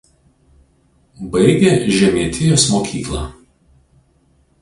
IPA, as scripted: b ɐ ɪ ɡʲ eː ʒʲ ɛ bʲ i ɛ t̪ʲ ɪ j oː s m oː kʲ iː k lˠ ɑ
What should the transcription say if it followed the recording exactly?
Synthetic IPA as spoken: b ɐ ɪ ɡʲ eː ʒʲ ɛ mʲ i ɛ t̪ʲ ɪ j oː s m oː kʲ iː k lˠ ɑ